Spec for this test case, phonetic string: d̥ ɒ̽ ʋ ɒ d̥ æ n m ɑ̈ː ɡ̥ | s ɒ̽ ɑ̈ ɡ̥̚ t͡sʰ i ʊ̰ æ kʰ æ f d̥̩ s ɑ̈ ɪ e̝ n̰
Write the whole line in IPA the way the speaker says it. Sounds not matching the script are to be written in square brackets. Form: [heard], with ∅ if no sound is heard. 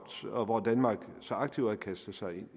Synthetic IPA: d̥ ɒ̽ ʋ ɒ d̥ æ n m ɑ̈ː ɡ̥ | s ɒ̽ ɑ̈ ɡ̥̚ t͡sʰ i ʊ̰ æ kʰ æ [s] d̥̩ s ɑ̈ ɪ e̝ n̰

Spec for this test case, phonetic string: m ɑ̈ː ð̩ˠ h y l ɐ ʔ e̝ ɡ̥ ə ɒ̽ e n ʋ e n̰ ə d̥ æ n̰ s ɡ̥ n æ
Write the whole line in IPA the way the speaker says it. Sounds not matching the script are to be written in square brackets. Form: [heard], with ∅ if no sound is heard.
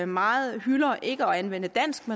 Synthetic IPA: m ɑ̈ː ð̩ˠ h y l ɐ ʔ e̝ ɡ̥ ə ɒ̽ [æ] n ʋ e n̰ ə d̥ æ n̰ s ɡ̥ [m] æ

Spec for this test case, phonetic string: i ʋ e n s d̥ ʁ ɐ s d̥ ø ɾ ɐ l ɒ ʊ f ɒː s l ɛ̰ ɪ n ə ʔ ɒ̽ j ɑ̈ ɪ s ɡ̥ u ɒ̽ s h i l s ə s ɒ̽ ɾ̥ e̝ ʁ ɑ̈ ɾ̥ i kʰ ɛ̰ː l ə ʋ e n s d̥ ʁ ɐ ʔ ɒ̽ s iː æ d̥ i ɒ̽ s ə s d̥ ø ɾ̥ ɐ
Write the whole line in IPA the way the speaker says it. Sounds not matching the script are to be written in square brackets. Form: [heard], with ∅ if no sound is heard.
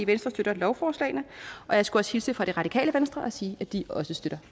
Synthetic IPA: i ʋ e n s d̥ ʁ ɐ s d̥ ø ɾ ɐ l ɒ ʊ f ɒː s l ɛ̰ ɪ n ə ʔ ɒ̽ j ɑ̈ ɪ s ɡ̥ u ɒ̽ s h i l s ə [f] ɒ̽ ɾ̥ e̝ ʁ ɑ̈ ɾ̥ i kʰ ɛ̰ː l ə ʋ e n s d̥ ʁ ɐ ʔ ɒ̽ s iː æ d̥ i ɒ̽ s ə s d̥ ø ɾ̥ ɐ

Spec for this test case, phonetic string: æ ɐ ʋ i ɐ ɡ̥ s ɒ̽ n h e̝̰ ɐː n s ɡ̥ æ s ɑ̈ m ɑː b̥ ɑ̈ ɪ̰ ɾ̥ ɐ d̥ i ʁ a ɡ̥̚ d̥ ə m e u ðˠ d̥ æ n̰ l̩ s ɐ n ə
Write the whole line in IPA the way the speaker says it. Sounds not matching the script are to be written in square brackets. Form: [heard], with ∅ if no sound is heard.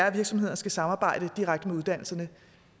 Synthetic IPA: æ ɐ ʋ i ɐ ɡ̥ s ɒ̽ [m] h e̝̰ [ɐ] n s ɡ̥ æ s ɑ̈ m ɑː b̥ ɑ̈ ɪ̰ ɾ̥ [ə] d̥ i ʁ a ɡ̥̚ d̥ ə m e u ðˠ d̥ æ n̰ l̩ s ɐ n ə

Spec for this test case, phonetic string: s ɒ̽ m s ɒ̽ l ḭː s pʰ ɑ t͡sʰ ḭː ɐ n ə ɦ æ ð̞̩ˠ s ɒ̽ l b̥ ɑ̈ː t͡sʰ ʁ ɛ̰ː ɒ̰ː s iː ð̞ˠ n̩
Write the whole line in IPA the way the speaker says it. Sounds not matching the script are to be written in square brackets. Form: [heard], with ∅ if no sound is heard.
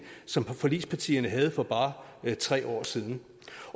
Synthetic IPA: s ɒ̽ m [f] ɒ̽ l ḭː s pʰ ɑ t͡sʰ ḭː ɐ n ə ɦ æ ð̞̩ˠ [f] ɒ̽ [∅] b̥ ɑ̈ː t͡sʰ ʁ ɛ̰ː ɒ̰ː s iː ð̞ˠ n̩

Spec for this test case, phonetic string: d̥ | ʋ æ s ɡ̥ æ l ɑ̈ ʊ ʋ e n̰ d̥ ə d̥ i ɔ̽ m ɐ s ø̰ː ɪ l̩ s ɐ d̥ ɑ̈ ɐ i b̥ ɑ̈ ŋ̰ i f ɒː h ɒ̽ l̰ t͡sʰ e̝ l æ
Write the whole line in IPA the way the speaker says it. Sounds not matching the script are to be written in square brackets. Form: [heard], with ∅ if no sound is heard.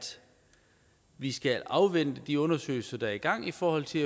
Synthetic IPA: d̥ | ʋ [i] s ɡ̥ æ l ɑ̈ ʊ ʋ e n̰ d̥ ə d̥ i ɔ̽ [n] ɐ s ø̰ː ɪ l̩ s ɐ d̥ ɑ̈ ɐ i [ɡ̥] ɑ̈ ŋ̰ i f ɒː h ɒ̽ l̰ t͡sʰ e̝ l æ

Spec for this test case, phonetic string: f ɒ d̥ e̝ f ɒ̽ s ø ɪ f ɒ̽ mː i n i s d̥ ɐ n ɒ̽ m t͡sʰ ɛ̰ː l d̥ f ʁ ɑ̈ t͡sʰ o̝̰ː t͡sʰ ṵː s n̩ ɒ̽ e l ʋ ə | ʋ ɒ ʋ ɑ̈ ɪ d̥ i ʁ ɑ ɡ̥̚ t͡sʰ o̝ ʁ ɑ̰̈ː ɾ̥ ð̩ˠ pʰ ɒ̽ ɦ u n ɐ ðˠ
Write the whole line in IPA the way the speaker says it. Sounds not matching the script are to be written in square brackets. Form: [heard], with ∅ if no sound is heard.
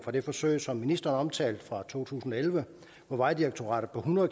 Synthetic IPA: f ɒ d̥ e̝ f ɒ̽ s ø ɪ [s] ɒ̽ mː i n i s d̥ ɐ n ɒ̽ m t͡sʰ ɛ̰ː l d̥ f ʁ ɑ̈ t͡sʰ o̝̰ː t͡sʰ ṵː s n̩ ɒ̽ e l ʋ ə | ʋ ɒ ʋ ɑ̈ ɪ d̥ i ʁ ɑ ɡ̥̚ t͡sʰ o̝ ʁ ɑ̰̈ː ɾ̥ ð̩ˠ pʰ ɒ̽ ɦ u n ɐ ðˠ

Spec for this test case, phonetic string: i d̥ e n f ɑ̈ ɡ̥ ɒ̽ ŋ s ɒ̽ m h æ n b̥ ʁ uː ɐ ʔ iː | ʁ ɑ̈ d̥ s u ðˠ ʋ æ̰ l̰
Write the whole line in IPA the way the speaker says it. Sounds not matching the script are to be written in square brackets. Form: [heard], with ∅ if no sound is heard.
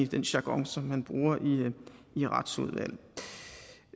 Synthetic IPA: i d̥ e n [ɕ] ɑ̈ ɡ̥ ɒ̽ ŋ s ɒ̽ m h æ n b̥ ʁ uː ɐ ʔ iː | ʁ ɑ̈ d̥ s u ðˠ ʋ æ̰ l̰

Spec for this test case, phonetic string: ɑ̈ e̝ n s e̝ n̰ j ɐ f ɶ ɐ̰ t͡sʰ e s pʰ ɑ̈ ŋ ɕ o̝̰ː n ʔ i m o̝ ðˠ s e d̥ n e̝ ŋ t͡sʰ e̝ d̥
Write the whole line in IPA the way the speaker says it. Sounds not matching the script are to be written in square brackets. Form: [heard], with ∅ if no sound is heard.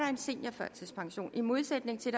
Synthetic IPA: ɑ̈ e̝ n s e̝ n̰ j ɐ f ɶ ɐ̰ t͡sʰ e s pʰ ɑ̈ ŋ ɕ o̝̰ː n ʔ i m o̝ ðˠ s e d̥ n e̝ ŋ t͡sʰ e̝ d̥

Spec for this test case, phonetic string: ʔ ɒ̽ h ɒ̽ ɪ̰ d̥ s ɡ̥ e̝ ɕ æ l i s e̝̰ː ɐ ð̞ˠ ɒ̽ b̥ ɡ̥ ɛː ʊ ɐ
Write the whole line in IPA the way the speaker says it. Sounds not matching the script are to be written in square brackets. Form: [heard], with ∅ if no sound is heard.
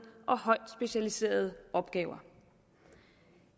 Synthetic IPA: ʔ ɒ̽ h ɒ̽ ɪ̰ d̥ s [b̥] e̝ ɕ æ l i s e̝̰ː ɐ ð̞ˠ ɒ̽ b̥ ɡ̥ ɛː ʊ ɐ

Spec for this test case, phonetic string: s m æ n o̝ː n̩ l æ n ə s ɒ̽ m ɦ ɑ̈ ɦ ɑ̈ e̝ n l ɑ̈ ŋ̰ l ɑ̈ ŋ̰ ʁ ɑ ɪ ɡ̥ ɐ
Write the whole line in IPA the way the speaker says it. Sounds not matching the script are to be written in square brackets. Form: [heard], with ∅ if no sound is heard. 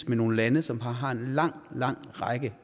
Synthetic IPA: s m [e] n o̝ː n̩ l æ n ə s ɒ̽ m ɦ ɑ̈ ɦ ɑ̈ e̝ n l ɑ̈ ŋ̰ l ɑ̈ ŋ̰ ʁ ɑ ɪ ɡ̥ [ə]

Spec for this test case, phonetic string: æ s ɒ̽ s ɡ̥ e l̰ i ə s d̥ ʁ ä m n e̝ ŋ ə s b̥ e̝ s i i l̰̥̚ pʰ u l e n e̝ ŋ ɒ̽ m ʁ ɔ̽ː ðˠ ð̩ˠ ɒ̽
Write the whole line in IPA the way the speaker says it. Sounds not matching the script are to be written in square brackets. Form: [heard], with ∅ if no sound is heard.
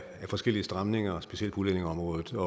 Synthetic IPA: æ [f] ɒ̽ s ɡ̥ e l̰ i ə s d̥ ʁ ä m n e̝ ŋ [ɐ] s b̥ e̝ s i [e] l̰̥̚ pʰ u l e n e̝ ŋ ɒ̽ m ʁ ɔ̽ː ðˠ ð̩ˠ ɒ̽

